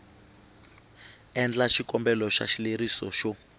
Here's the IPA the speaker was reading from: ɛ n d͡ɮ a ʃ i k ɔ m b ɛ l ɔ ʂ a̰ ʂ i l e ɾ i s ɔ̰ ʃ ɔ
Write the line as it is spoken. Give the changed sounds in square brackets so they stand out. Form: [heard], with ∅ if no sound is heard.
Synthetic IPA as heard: ɛ n d͡ɮ a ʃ i k ɔ m b ɛ l ɔ [ʃ] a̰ [ʃ] i l e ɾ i s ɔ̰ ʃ ɔ